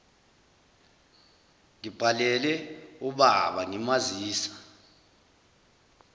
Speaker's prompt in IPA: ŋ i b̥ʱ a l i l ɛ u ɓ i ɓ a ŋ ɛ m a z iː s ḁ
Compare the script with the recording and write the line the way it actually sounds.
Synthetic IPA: ŋ i b̥ʱ a l ɛ l ɛ u ɓ a ɓ a ŋ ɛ m a z iː s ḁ